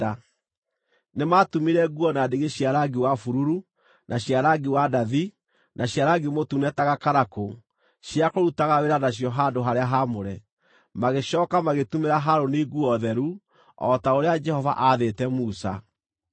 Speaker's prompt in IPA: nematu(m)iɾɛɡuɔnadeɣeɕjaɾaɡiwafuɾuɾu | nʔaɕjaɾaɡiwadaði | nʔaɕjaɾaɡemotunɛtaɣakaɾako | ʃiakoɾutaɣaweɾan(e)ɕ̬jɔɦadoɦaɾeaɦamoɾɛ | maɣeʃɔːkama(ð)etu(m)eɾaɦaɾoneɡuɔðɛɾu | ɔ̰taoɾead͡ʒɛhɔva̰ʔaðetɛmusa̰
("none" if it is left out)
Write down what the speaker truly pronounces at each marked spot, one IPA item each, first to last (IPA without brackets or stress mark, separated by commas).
m, a, ɣ, m